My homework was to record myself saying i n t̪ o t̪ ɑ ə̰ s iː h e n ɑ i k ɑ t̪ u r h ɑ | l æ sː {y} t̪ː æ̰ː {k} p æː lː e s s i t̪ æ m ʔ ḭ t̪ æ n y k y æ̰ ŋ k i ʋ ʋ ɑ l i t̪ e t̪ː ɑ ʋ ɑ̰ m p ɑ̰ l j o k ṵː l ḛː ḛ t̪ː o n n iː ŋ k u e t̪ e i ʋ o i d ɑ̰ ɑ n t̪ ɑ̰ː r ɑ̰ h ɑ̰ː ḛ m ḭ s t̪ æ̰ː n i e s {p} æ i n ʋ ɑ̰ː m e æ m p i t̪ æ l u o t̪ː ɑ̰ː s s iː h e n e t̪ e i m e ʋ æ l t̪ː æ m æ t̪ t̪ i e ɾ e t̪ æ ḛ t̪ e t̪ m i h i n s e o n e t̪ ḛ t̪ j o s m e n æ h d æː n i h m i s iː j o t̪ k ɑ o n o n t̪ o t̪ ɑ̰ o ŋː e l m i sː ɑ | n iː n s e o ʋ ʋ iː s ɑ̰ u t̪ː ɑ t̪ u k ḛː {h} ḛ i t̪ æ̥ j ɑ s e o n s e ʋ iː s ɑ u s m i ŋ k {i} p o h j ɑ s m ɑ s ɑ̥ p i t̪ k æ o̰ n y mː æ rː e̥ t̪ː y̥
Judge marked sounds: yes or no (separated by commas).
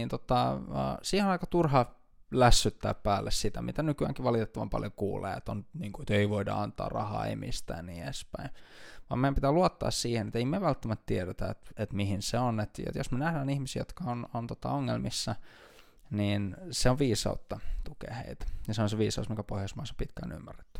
yes, no, yes, yes, no